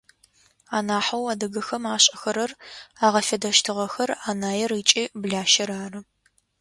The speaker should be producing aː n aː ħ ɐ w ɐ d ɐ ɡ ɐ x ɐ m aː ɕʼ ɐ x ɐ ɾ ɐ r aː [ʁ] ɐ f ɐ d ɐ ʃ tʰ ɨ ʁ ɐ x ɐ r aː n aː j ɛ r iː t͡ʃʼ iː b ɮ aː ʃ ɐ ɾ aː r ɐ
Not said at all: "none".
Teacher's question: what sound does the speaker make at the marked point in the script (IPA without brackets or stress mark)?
ʁ